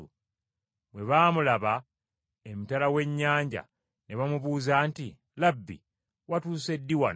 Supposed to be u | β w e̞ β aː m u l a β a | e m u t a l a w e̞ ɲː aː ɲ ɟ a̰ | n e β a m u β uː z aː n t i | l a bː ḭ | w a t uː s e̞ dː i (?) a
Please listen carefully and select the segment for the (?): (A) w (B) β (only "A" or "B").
A